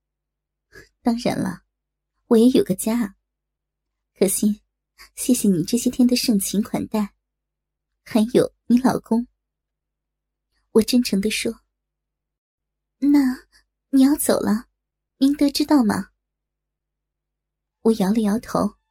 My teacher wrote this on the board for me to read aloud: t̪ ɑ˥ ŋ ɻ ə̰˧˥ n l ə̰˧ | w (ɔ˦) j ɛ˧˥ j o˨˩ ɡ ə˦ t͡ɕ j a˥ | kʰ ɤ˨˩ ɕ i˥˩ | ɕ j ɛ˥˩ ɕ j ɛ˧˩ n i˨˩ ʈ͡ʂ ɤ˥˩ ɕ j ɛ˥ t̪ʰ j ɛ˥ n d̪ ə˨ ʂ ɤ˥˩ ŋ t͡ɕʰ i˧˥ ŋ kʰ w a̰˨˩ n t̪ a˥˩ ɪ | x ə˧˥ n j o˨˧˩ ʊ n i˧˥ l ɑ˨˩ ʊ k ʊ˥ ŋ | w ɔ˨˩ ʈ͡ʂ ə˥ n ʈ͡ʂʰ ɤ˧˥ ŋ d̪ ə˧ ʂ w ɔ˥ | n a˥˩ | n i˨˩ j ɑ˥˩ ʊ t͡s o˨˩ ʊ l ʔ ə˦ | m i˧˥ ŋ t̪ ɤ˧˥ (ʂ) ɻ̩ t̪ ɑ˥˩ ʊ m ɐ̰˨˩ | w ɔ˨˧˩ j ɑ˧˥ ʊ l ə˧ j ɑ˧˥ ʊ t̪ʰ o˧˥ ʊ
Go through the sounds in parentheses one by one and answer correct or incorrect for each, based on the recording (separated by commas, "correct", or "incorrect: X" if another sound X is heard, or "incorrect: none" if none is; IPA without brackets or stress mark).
incorrect: ɔ˨˩, incorrect: ʈ͡ʂ